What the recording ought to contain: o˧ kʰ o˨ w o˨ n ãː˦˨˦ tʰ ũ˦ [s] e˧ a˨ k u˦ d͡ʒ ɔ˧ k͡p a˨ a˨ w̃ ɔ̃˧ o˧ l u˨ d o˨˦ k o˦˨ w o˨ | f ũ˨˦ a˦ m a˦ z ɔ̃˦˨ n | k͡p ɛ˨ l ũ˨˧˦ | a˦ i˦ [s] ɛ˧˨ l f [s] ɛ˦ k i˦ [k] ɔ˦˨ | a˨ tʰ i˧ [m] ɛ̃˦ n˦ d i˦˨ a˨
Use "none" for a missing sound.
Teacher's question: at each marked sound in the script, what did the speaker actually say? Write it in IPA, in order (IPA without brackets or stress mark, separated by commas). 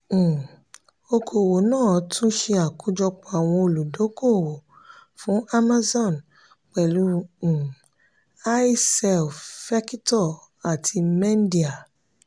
ʃ, s, f, t, m